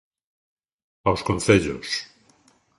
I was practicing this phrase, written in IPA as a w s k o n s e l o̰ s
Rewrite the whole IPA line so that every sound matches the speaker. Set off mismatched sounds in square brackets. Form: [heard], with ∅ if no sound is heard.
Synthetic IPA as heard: a w s k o n [θ] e [ʎ] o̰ s